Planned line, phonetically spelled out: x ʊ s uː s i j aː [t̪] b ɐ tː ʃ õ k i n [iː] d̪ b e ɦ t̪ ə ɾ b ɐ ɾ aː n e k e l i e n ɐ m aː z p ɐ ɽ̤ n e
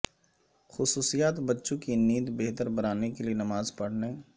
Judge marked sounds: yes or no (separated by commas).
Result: yes, yes